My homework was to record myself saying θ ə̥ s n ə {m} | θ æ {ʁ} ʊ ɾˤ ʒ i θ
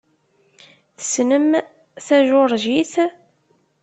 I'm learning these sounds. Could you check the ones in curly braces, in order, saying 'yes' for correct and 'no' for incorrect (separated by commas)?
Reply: yes, no